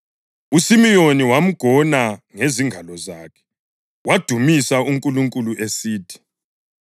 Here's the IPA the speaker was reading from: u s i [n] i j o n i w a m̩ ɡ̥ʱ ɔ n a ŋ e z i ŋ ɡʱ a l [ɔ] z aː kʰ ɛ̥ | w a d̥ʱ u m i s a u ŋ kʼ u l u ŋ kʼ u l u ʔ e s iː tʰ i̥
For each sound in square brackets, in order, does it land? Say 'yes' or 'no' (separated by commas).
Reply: no, yes